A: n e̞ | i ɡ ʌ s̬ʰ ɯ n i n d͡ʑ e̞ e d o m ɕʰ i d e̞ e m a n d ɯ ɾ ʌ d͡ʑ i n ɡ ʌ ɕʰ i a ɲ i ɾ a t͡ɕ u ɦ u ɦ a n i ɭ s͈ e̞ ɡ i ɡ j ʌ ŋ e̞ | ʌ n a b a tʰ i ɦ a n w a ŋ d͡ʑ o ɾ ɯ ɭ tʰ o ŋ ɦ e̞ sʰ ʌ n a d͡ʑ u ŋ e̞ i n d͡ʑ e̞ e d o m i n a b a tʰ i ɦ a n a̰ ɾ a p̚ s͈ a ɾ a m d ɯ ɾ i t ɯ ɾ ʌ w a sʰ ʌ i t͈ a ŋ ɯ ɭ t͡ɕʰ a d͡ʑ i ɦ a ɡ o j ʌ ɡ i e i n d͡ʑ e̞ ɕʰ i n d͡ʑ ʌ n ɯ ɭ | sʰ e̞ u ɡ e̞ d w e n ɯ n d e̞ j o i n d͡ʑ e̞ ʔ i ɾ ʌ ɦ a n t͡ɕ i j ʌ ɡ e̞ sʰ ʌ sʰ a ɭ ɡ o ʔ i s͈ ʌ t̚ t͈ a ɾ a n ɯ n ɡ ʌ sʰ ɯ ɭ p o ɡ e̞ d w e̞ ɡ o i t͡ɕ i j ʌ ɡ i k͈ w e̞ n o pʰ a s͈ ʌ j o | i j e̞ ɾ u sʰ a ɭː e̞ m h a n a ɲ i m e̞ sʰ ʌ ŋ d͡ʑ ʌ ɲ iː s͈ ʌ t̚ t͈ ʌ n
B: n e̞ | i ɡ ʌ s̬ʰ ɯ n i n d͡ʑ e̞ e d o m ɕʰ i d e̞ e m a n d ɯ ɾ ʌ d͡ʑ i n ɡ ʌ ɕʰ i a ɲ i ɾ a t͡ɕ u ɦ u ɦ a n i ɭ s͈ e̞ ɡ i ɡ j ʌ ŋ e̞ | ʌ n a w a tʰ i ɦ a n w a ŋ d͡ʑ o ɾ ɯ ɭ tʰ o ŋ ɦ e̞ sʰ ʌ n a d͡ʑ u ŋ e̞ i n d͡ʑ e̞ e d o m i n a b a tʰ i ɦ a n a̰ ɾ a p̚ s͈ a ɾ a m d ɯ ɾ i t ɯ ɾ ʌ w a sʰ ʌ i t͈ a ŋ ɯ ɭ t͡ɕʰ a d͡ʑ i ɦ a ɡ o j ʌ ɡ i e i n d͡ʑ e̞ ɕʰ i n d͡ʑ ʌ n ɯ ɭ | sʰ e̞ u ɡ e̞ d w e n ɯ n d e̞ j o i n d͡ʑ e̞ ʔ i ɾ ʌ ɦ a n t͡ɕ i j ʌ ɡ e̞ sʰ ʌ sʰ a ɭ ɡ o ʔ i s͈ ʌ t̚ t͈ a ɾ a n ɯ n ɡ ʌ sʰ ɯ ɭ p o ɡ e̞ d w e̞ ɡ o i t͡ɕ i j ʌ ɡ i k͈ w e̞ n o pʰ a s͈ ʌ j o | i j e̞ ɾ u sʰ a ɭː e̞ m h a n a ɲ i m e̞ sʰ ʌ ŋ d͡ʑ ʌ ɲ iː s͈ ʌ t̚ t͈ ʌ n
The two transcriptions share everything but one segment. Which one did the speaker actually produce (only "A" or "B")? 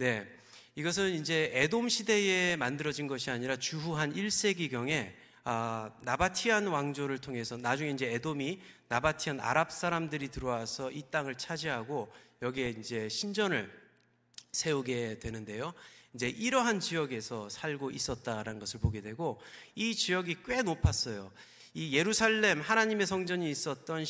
A